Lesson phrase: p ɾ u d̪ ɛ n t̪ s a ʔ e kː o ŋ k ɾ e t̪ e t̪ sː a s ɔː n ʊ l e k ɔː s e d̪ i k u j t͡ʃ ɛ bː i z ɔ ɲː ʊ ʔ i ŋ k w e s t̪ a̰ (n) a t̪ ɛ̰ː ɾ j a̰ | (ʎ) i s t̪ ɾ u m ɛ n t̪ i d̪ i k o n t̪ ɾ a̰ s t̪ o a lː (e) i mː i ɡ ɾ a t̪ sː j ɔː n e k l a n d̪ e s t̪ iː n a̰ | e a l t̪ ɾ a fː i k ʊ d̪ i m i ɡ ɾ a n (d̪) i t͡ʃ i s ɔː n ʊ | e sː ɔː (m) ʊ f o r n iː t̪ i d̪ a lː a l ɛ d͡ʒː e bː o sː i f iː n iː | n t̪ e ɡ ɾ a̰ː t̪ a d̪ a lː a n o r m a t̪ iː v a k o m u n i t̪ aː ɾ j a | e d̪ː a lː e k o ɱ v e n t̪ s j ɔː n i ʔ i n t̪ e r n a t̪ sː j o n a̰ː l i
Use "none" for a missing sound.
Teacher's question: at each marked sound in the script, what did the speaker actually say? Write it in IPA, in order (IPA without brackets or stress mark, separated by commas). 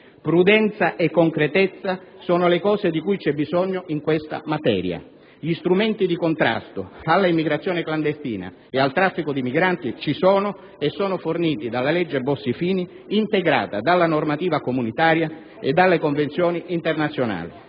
m, ʎ, a, t̪, n